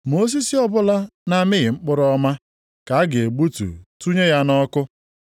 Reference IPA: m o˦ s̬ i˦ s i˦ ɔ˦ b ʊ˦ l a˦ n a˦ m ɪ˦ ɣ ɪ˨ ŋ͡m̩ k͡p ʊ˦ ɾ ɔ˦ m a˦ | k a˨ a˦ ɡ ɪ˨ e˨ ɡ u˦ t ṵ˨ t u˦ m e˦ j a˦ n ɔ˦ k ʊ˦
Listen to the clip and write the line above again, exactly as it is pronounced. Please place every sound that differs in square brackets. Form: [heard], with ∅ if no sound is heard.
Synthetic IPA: m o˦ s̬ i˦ s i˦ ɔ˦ b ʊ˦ l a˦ n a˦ m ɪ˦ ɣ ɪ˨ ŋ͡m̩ k͡p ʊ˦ ɾ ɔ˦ m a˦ | k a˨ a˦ ɡ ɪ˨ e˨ [ɡ͡b] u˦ t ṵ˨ t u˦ [ɲ] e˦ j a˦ n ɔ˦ k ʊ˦